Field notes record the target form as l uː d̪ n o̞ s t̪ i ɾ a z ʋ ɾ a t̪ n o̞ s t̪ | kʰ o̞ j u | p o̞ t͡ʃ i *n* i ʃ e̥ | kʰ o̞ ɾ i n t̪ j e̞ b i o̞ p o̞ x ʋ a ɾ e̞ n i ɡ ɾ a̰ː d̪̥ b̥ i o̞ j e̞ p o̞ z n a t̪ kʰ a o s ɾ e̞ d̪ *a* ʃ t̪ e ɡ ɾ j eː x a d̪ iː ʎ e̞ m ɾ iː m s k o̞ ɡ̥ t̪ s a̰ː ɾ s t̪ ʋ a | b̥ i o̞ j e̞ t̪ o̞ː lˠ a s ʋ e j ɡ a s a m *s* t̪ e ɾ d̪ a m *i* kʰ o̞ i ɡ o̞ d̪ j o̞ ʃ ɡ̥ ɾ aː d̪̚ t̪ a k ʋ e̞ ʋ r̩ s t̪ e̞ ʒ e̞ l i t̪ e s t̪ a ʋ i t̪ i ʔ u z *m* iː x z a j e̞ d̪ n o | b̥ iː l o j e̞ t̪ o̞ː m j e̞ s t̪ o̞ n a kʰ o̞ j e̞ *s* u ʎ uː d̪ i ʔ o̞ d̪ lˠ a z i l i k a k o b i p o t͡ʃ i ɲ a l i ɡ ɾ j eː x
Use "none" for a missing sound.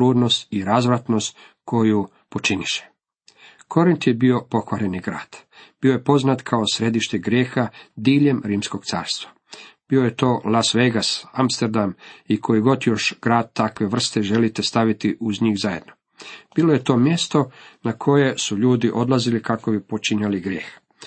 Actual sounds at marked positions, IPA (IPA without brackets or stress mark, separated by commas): n, i, s, i, ɲ, s